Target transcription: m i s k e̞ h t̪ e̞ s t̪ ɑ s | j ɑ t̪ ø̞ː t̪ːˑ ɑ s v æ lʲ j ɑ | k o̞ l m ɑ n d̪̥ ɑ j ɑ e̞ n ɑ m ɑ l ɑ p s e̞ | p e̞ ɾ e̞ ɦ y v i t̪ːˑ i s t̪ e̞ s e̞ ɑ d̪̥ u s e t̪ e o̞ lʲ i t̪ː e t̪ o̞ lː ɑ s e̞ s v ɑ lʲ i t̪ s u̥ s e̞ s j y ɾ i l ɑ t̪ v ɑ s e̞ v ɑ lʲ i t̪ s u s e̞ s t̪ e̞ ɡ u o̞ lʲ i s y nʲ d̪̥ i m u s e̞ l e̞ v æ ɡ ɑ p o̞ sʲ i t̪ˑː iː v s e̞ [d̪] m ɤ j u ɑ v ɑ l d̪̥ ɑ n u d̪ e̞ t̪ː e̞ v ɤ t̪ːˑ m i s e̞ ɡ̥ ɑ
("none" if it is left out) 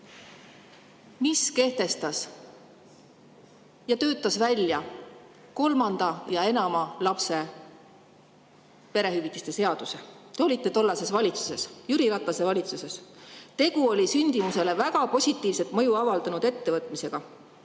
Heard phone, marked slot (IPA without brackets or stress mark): t̪